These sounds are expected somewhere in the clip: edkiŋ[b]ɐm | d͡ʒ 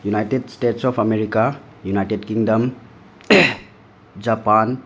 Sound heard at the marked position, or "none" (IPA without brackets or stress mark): d